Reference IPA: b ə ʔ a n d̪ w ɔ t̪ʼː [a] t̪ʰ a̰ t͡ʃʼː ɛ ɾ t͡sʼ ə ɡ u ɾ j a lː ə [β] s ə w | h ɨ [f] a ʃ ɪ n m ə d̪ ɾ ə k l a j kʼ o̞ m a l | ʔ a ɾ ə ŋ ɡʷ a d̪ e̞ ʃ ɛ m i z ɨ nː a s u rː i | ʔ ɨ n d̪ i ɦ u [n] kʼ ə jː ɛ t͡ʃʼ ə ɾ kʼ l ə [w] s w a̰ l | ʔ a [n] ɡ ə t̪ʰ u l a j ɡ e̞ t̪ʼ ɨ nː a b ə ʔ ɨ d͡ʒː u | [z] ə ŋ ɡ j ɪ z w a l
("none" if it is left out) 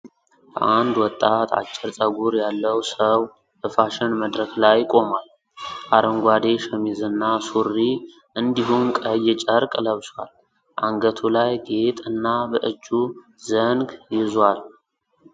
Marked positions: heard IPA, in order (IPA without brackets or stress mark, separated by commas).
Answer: a, w, f, m, β, ŋ, z